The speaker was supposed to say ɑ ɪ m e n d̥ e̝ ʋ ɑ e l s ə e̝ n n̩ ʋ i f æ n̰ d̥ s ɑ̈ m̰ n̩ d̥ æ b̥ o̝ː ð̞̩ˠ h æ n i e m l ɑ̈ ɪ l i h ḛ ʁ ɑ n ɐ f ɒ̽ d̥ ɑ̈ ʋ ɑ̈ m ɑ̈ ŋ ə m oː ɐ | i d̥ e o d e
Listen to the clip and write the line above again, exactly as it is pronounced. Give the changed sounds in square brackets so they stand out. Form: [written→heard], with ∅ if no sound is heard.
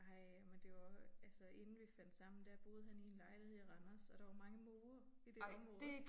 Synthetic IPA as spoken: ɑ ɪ m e n d̥ e̝ ʋ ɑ [e→æ] l s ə e̝ n n̩ ʋ i f æ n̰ d̥ s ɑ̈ m̰ n̩ d̥ æ b̥ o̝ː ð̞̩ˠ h æ n i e [m→n] l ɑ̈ ɪ l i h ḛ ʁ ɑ n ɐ [f→s] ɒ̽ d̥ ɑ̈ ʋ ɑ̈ m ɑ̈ ŋ ə m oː ɐ | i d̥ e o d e

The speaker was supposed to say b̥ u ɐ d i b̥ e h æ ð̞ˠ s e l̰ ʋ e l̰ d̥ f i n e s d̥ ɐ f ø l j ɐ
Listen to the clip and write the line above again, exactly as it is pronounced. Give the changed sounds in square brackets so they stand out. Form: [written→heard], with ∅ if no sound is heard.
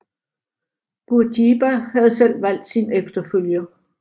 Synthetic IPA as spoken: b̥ u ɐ d i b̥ [e→æ] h æ ð̞ˠ s e l̰ ʋ [e→æ] l̰ d̥ [f→s] i n e [s→f] d̥ ɐ f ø l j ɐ

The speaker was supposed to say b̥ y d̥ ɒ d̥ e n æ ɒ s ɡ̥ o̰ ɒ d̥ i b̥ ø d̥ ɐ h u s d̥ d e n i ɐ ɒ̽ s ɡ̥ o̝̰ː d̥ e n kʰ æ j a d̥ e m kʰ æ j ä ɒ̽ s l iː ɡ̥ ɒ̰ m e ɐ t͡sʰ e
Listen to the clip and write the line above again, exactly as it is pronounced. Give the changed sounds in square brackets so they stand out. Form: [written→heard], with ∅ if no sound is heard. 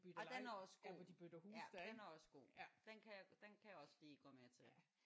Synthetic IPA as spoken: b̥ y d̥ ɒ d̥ e n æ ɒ s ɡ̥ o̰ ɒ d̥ i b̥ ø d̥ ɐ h u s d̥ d e n [i→æ] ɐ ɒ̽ s ɡ̥ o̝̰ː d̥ e n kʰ æ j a d̥ e [m→n] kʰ æ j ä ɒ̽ s l iː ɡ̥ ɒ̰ m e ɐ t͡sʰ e

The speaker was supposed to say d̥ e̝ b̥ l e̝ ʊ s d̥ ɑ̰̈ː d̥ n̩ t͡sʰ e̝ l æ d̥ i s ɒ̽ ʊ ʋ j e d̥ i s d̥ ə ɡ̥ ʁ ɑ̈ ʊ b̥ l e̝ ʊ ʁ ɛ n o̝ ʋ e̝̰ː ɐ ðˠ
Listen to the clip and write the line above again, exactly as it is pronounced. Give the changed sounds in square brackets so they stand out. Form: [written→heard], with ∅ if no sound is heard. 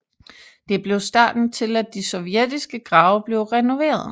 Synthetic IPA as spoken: d̥ e̝ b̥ l e̝ ʊ s d̥ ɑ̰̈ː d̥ n̩ t͡sʰ e̝ l æ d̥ i s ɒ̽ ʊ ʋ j e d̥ i s [d̥→ɡ̥] ə ɡ̥ ʁ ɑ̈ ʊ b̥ l e̝ ʊ ʁ ɛ n o̝ ʋ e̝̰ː ɐ ðˠ

